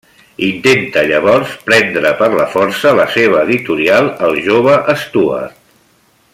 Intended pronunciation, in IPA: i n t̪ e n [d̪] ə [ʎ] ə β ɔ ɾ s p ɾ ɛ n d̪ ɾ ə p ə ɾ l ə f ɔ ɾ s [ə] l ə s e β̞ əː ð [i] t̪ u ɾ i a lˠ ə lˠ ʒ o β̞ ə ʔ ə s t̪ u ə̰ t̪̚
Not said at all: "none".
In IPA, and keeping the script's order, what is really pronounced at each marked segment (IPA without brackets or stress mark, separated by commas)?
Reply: t̪, ʎ, ə, i